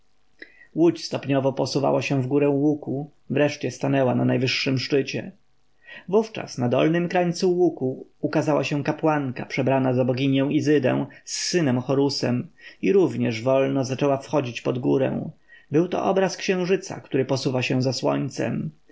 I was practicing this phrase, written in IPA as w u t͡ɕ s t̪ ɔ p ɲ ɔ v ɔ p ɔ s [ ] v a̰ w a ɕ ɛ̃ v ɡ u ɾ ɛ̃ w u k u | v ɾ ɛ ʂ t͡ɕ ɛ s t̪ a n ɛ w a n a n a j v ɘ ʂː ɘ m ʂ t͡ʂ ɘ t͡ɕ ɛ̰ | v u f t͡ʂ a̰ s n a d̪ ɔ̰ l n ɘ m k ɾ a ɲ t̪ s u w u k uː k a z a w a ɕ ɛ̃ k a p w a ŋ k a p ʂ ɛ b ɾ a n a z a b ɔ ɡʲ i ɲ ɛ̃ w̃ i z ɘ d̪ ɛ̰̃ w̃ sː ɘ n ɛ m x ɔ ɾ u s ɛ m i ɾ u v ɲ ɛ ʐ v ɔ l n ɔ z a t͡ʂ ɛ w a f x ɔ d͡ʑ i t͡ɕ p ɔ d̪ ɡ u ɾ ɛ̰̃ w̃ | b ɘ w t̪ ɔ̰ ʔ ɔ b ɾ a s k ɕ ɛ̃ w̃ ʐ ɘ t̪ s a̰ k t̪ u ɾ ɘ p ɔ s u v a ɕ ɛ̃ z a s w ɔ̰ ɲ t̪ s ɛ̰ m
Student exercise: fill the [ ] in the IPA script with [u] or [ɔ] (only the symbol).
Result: u